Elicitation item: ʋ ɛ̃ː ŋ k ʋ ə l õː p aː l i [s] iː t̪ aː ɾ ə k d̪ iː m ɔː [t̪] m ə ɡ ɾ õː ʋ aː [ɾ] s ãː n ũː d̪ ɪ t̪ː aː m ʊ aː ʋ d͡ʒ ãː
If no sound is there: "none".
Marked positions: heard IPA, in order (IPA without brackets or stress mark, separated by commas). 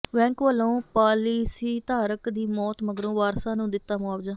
s, t̪, ɾ